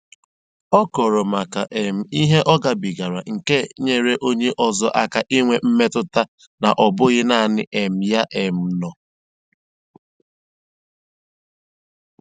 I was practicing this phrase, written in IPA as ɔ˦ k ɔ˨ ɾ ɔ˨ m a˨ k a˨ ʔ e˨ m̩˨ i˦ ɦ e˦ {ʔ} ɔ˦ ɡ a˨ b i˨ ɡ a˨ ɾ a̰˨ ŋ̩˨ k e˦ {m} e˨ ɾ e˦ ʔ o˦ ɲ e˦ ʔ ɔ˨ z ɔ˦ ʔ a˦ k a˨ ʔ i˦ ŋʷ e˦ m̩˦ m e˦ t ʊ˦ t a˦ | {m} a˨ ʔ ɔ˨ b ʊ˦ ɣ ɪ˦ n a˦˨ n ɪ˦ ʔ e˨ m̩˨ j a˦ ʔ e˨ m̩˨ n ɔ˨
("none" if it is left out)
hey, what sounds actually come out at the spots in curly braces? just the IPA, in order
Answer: ʔ, ɲ, n

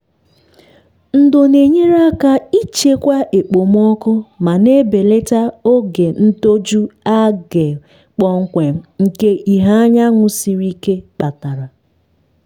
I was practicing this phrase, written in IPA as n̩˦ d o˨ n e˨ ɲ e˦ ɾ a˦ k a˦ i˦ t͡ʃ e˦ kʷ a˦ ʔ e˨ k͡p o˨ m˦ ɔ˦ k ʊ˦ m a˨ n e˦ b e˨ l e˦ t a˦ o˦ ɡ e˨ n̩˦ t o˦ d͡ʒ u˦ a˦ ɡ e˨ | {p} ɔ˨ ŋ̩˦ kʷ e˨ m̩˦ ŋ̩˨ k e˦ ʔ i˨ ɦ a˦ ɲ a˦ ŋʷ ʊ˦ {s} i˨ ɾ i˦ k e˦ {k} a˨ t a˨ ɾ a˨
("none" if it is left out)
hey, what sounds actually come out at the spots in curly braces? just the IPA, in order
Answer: k͡p, s, k͡p

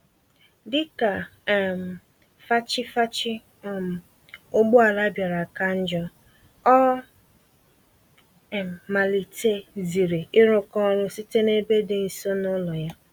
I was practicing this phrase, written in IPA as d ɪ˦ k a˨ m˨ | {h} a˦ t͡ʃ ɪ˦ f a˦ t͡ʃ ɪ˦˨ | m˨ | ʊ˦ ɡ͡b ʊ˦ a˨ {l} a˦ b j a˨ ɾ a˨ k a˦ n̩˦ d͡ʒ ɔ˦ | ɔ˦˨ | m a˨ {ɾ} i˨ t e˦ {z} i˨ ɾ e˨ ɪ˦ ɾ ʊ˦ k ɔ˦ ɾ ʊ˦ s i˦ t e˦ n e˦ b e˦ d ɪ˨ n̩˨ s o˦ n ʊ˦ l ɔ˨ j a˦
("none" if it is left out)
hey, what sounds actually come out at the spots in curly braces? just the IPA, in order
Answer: f, l, l, z

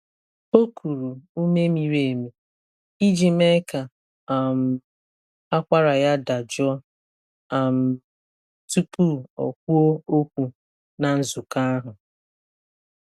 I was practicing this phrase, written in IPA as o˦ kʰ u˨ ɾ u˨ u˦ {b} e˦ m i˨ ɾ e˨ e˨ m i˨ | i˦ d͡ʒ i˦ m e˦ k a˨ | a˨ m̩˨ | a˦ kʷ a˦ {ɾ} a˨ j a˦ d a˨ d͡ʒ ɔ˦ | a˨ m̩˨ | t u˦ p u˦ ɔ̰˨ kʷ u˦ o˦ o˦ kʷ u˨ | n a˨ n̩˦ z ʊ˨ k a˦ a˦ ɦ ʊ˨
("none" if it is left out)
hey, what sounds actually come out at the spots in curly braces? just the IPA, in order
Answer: m, ɾ

